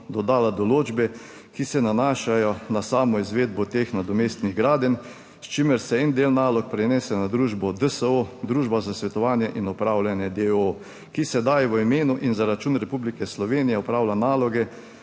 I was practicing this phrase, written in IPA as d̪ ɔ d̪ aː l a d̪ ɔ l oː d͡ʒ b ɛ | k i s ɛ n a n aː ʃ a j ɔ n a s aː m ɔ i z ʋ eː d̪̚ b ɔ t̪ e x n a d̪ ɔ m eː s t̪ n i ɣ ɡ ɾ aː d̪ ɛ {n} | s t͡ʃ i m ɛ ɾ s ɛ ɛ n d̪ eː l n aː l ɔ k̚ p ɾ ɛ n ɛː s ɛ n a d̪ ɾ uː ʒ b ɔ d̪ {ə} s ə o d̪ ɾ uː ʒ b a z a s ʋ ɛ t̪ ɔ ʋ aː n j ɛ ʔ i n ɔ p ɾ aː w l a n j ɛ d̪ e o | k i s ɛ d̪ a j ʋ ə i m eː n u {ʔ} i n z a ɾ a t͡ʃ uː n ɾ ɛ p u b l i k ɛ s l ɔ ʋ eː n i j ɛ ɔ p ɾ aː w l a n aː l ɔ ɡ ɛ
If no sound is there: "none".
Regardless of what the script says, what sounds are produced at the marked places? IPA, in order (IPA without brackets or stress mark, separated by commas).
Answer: n, ə, ʔ